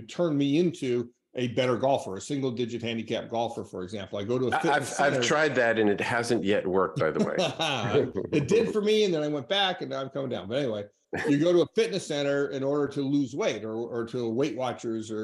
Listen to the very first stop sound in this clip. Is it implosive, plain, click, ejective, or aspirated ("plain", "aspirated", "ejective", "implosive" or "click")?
aspirated